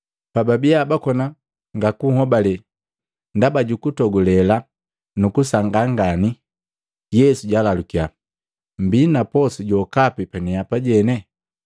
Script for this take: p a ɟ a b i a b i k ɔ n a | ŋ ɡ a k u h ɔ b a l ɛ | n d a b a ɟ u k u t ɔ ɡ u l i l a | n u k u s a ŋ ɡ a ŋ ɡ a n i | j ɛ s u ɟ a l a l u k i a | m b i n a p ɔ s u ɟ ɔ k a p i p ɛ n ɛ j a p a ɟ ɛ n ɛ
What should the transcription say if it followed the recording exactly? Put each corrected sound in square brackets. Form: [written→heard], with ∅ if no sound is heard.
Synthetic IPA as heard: p a [ɟ→b] a b i a b [i→a] k ɔ n a | ŋ ɡ a k u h ɔ b a l ɛ | n d a b a ɟ u k u t ɔ ɡ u l [i→ɛ] l a | n u k u s a ŋ ɡ a ŋ ɡ a n i | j ɛ s u ɟ a l a l u k i a | m b i n a p ɔ s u ɟ ɔ k a p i p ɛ n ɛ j a p a ɟ ɛ n ɛ